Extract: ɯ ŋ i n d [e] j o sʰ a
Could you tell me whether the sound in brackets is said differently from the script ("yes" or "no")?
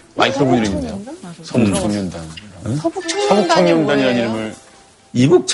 no